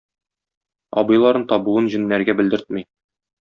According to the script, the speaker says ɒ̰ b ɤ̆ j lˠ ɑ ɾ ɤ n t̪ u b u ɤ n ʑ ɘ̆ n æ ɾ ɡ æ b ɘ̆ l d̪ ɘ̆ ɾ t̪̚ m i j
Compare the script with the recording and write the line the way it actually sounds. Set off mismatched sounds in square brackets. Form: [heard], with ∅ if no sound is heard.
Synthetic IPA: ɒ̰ b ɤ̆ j lˠ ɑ ɾ ɤ n t̪ [ɒ] b u ɤ n ʑ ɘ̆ [nː] æ ɾ ɡ æ b ɘ̆ l d̪ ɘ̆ ɾ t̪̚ m i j